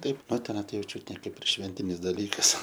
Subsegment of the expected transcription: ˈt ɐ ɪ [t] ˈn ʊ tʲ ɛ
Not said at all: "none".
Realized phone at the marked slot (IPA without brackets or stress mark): p